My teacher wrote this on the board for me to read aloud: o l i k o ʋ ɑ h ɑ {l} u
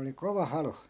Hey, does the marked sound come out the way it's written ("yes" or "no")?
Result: yes